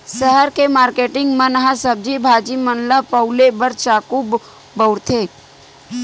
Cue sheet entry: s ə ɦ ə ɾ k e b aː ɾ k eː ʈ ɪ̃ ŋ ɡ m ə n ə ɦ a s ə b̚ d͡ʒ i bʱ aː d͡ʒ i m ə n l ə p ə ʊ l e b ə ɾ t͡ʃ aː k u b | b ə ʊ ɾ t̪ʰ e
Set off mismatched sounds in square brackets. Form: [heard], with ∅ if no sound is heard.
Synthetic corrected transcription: s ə ɦ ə ɾ k e [m] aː ɾ k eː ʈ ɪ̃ ŋ ɡ m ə n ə ɦ a s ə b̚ d͡ʒ i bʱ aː d͡ʒ i m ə n l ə p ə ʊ l e b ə ɾ t͡ʃ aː k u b | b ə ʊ ɾ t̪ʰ e